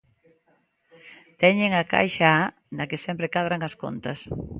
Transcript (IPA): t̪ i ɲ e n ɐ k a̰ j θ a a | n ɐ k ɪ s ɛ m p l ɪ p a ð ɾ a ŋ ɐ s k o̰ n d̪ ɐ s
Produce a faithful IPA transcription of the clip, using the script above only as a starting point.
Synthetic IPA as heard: t̪ ɛ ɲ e ŋ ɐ k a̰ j ʃ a a | n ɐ k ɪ s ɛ m p ɾ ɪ k a ð ɾ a ŋ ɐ s k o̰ n t̪ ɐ s